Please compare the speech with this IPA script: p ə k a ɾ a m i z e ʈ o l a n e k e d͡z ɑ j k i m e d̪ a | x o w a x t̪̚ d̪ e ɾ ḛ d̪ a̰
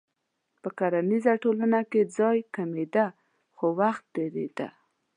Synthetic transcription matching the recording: p ə k a ɾ a n i z a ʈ o l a n a k e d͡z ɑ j k a m e d̪ a | x o w a x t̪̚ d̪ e ɾ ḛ d̪ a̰